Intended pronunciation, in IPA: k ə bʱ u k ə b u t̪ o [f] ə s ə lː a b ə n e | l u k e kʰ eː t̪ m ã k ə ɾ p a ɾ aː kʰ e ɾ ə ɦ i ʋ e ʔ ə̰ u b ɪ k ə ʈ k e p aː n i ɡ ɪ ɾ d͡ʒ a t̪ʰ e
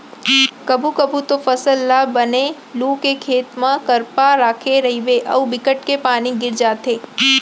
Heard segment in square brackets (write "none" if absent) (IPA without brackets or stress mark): f